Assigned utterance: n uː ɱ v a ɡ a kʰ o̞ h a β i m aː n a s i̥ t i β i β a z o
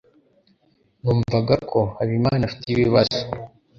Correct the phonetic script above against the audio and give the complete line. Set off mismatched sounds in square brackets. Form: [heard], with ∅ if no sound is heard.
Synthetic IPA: n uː ɱ v a ɡ a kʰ o̞ h a β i m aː n a [f] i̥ t i β i β a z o